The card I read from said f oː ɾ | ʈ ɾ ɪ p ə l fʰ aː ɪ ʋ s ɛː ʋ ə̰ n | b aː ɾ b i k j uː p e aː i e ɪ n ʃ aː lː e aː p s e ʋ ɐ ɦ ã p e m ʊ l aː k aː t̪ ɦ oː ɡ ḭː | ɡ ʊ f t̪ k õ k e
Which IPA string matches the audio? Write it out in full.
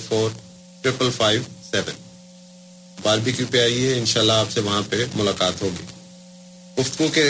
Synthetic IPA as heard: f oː ɾ | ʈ ɾ ɪ p ə l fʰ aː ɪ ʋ s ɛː ʋ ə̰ n | b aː ɾ b i k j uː p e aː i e ɪ n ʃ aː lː a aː p s e ʋ ɐ ɦ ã p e m ʊ l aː k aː t̪ ɦ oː ɡ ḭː | ɡ ʊ f t̪ ɡ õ k e